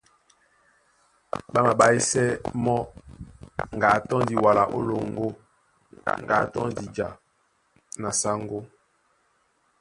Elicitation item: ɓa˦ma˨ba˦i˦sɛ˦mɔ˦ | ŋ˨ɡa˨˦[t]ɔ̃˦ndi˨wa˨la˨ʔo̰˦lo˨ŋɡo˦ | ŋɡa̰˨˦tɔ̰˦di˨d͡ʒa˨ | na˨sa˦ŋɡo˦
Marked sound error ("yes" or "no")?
no